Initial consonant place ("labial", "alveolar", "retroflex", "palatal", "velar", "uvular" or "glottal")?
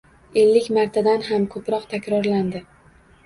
alveolar